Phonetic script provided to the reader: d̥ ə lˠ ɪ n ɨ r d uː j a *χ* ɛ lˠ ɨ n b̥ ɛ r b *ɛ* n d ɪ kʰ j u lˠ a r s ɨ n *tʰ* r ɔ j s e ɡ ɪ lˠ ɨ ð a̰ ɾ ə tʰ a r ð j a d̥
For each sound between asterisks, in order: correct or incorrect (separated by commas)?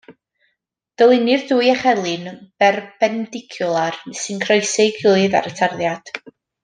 correct, correct, incorrect